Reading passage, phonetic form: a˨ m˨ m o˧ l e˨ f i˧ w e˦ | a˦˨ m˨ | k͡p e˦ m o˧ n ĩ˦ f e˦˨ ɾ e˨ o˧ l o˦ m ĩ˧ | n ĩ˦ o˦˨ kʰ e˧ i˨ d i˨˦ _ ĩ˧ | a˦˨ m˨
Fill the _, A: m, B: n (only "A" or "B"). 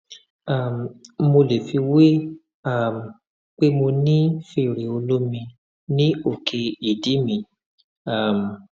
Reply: A